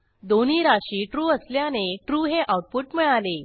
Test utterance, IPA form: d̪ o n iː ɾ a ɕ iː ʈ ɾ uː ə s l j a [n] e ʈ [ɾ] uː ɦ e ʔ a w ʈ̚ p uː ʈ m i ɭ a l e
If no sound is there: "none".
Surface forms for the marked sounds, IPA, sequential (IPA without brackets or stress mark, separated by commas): n, ɾ